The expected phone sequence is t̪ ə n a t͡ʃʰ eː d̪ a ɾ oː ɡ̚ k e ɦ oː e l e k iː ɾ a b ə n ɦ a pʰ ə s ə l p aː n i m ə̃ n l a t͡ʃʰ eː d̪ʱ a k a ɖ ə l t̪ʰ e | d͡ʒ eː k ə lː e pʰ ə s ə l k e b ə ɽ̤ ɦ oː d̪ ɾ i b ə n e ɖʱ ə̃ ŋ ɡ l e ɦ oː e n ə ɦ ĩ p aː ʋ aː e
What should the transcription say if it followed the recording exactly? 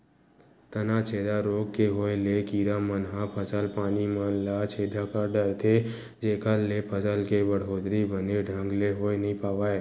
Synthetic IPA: t̪ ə n a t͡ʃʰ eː d̪ a ɾ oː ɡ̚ k e ɦ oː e l e k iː ɾ a m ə n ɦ a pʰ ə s ə l p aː n i m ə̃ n l a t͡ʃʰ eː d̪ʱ a k a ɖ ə ɾ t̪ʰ e | d͡ʒ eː k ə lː e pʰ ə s ə l k e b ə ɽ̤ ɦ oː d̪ ɾ i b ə n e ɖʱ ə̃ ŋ ɡ l e ɦ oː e n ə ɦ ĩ p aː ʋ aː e